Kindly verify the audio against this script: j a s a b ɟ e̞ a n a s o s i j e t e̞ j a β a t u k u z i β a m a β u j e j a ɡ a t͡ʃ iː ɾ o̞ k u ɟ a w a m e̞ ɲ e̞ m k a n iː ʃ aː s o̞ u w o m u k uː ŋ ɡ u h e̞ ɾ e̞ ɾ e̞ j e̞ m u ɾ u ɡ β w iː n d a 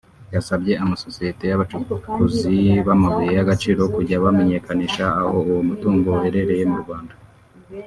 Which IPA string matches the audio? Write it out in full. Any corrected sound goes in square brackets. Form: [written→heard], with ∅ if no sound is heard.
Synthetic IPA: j a s a b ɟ e̞ a [n→m] a s o s i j e t e̞ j a β a [t→t͡ʃ] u k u z i β a m a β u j e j a ɡ a t͡ʃ iː ɾ o̞ k u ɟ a [w→β] a m e̞ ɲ e̞ [m→∅] k a n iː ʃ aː [s→h] o̞ u w o m u [k→t] uː ŋ ɡ [u→o] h e̞ ɾ e̞ ɾ e̞ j e̞ m u ɾ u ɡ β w [iː→aː] n d a